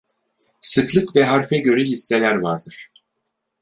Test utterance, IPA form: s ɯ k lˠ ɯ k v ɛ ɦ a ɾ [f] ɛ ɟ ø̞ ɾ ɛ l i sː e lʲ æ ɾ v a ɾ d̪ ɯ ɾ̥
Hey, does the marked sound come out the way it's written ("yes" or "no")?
yes